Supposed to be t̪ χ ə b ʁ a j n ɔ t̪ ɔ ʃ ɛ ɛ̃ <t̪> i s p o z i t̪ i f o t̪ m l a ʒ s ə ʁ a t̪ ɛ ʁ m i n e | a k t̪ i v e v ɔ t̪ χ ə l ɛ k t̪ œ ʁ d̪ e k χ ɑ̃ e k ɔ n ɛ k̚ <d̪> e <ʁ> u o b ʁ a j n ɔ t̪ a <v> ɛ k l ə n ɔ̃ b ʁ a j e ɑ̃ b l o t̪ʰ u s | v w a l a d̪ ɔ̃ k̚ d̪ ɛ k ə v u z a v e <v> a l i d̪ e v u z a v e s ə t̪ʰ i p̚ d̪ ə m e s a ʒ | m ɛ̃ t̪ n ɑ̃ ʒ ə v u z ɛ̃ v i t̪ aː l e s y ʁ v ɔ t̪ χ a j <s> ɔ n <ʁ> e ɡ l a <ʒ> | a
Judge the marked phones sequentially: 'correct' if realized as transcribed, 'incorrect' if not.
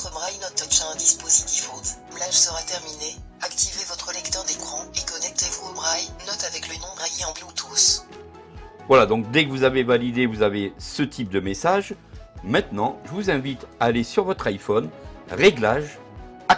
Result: incorrect, incorrect, incorrect, correct, correct, incorrect, correct, correct

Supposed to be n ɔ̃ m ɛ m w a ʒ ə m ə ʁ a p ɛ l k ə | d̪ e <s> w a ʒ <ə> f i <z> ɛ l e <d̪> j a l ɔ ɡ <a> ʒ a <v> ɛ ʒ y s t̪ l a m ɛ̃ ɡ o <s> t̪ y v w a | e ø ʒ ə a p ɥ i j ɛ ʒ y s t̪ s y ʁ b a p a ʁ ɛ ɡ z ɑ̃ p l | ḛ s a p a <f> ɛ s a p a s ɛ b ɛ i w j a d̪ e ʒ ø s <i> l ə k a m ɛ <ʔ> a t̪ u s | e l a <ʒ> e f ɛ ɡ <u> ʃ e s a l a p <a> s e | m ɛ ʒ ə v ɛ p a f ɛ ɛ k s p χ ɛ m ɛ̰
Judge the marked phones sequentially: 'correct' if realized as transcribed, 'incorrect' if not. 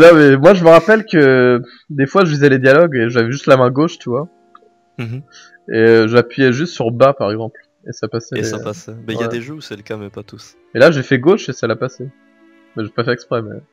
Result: incorrect, correct, correct, correct, incorrect, correct, incorrect, incorrect, incorrect, incorrect, correct, incorrect, correct

